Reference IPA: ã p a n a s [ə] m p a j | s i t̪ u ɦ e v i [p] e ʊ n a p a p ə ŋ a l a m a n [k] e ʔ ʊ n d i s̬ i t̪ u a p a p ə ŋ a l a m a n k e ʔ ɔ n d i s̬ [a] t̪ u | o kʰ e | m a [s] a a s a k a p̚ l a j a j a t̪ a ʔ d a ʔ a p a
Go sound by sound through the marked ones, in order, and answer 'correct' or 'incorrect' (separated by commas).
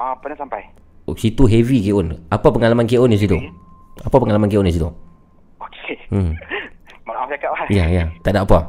incorrect, incorrect, correct, incorrect, incorrect